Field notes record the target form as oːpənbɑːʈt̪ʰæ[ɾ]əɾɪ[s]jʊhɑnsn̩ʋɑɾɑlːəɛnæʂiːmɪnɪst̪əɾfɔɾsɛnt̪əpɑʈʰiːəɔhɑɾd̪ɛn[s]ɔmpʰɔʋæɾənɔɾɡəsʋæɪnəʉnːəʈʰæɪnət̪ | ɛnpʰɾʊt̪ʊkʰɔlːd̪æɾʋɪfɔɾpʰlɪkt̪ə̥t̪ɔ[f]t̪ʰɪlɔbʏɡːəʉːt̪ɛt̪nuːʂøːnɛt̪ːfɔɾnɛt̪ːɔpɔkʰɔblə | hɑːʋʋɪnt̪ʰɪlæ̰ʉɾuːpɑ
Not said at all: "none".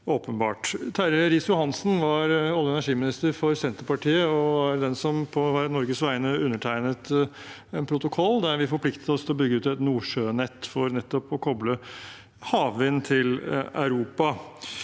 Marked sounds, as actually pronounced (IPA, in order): ɾ, s, s, s

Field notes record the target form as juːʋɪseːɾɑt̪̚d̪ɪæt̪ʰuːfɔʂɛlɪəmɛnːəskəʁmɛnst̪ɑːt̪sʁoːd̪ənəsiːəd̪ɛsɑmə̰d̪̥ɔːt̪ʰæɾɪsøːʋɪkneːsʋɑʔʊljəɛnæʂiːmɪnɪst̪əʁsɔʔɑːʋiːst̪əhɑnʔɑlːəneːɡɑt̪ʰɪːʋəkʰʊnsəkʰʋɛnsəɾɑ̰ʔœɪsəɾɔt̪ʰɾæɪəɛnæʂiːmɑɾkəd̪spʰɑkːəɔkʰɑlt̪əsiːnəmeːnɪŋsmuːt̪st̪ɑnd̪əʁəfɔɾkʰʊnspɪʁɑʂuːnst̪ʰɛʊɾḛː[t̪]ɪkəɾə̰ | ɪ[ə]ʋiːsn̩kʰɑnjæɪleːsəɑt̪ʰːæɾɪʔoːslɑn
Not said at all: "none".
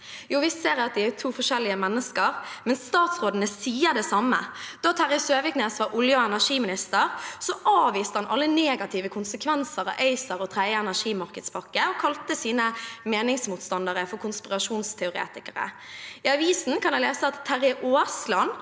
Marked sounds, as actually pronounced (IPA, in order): t̪, ɑ

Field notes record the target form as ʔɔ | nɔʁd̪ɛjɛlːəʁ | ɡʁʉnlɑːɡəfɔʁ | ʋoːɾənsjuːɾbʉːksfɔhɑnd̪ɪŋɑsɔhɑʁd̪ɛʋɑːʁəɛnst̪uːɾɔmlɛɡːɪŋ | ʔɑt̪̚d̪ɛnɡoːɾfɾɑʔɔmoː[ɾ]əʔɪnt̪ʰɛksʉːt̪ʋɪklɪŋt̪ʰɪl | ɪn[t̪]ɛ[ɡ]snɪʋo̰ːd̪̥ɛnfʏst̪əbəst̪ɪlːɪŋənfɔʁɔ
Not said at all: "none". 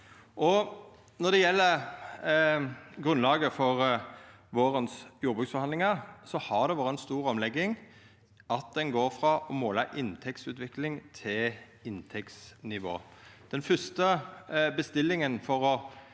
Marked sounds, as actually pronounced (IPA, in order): l, t̪ʰ, k

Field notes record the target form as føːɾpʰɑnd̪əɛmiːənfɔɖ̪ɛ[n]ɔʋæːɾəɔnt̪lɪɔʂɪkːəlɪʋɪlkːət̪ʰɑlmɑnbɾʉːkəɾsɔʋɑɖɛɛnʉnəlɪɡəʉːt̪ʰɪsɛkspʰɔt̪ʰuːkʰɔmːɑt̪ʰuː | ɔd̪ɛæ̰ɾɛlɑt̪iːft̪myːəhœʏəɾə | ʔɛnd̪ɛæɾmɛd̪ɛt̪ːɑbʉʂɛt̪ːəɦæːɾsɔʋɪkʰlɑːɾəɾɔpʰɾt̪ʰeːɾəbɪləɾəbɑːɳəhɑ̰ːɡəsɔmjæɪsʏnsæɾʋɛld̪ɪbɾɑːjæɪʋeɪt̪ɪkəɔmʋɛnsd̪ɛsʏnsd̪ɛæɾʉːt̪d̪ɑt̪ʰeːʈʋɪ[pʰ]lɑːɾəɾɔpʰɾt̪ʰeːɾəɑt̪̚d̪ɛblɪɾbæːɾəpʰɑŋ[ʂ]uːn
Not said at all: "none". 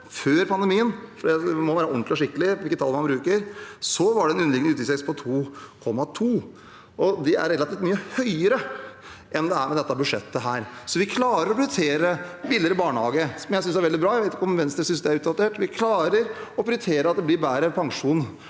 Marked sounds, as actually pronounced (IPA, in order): m, kʰ, ʂ

